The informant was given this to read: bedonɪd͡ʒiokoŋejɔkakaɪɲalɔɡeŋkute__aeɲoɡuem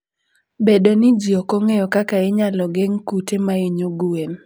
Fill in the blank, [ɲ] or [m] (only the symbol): m